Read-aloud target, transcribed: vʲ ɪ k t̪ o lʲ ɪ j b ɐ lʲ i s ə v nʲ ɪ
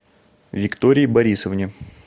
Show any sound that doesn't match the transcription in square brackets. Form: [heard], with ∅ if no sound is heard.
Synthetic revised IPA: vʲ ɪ k t̪ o [ɾʲ] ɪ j b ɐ [ɾʲ] i s ə v nʲ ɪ